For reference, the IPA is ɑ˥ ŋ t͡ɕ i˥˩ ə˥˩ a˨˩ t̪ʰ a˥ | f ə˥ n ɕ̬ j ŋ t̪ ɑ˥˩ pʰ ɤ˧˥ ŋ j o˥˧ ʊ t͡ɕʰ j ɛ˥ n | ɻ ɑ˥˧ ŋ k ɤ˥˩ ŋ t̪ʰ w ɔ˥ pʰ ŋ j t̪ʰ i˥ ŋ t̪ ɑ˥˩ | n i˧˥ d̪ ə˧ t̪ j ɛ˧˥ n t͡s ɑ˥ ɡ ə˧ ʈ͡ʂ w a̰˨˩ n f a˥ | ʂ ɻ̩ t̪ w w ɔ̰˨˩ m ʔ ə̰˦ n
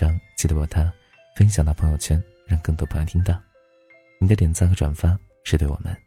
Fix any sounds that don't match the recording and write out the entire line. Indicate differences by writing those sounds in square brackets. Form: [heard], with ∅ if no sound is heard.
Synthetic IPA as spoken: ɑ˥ ŋ t͡ɕ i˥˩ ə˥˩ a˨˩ t̪ʰ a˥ | f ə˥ n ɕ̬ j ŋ t̪ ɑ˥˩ pʰ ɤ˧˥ ŋ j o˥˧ ʊ t͡ɕʰ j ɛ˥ n | ɻ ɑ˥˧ ŋ k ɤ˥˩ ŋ [t̪] w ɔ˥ pʰ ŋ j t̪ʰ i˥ ŋ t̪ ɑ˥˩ | n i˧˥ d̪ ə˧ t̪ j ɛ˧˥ n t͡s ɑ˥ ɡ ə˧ ʈ͡ʂ w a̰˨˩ n f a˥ | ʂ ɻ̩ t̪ w w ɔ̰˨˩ m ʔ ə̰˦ n